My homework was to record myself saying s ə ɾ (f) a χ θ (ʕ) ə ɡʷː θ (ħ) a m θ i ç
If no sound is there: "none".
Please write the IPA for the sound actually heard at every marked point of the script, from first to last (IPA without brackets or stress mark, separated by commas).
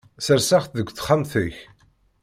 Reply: s, ð, χ